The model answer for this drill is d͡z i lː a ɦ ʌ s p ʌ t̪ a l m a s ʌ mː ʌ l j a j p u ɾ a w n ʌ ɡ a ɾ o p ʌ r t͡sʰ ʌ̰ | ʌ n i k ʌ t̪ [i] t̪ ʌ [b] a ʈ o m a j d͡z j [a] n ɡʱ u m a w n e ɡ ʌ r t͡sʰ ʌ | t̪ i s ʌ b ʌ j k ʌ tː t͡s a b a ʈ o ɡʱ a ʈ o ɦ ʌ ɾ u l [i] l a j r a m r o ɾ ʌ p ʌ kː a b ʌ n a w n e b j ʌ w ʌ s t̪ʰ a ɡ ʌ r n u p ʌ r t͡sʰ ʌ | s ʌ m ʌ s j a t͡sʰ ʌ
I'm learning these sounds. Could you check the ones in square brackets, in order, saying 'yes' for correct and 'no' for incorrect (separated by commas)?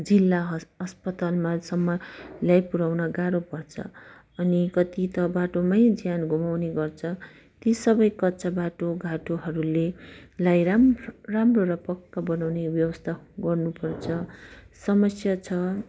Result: yes, yes, yes, no